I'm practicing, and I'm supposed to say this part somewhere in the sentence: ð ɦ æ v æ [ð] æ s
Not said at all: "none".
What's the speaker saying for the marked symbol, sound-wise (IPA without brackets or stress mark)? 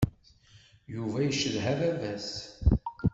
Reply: v